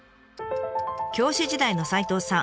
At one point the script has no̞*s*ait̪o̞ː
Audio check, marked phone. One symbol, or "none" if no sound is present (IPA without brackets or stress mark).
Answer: s